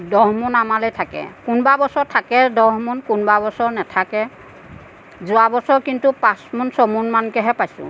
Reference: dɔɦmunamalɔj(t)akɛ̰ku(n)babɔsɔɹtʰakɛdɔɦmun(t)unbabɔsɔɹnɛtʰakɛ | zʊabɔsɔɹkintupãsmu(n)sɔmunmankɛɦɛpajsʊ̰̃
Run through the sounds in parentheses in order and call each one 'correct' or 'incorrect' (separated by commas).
incorrect, correct, incorrect, correct